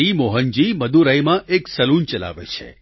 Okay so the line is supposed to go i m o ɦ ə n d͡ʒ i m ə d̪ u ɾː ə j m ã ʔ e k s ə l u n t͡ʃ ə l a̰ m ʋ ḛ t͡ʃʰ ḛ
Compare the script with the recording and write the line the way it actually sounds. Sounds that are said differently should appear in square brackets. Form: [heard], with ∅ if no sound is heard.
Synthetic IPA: i m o ɦ ə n d͡ʒ i m ə d̪ u [ɾ] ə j m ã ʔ e k s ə l u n t͡ʃ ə l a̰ [∅] ʋ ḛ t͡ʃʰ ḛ